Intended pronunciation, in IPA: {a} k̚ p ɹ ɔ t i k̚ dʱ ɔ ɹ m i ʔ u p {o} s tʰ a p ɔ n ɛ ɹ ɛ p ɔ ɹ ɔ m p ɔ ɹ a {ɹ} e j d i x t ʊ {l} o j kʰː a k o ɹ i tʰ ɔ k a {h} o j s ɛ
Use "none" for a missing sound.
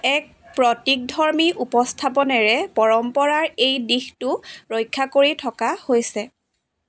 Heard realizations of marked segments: ɛ, ɔ, ɹ, ɹ, h

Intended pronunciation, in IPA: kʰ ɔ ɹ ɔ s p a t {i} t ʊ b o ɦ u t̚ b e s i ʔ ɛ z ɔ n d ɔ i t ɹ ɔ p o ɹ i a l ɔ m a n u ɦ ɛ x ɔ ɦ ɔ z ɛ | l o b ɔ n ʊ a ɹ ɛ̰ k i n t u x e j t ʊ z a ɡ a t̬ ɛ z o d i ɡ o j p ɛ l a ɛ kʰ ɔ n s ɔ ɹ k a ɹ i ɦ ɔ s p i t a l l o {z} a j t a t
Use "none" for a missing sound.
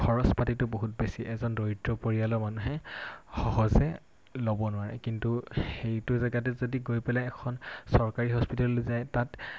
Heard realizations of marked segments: i, z

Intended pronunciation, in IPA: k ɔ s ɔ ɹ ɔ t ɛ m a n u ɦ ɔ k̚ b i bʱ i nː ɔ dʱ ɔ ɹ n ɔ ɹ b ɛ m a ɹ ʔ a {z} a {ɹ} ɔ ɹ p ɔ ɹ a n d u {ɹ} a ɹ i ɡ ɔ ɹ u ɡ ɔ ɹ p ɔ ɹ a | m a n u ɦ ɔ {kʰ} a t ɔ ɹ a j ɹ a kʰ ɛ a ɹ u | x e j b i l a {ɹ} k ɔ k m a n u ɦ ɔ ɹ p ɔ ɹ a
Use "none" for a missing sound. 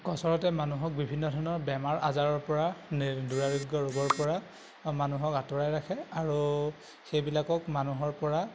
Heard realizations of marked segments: z, ɹ, ɹ, k, none

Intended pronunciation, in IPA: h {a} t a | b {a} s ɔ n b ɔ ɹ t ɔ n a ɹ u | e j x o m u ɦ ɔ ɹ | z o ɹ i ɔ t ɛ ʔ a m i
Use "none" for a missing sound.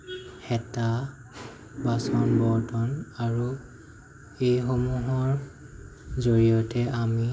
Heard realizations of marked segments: ɛ, a

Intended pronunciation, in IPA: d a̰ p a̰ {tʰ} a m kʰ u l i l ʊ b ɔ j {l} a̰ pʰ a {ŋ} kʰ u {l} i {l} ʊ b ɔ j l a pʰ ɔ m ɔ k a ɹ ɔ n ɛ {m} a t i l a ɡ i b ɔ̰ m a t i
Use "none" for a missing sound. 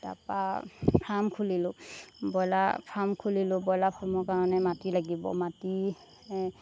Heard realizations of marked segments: pʰ, l, m, l, l, m

